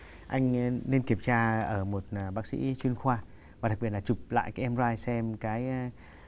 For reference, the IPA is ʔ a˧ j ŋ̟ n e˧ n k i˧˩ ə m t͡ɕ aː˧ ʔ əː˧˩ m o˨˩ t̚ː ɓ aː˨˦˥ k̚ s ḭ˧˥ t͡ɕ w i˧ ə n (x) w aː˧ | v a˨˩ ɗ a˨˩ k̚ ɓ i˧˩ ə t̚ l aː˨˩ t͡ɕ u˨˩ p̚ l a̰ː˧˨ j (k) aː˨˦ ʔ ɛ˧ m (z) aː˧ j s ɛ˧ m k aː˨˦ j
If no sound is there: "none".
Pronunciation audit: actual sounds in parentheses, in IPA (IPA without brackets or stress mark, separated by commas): x, k, z